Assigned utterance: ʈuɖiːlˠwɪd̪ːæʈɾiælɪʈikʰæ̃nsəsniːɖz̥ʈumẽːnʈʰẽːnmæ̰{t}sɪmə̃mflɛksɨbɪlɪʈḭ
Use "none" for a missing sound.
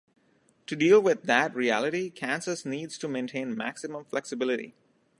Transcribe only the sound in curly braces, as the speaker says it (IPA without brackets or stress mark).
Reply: k